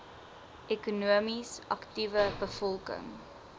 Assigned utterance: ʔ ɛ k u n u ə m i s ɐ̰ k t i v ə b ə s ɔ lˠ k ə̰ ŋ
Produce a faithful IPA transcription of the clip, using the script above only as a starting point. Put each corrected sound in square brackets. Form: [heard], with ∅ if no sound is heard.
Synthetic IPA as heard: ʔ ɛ k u n u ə m i s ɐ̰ k t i v ə b ə [f] ɔ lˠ k ə̰ ŋ